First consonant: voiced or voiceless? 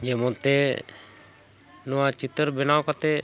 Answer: voiced